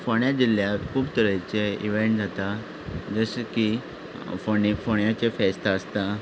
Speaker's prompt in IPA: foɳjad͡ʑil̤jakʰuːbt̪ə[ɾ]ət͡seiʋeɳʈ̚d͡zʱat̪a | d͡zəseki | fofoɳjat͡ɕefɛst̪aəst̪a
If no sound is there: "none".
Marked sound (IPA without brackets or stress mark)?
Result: ɾ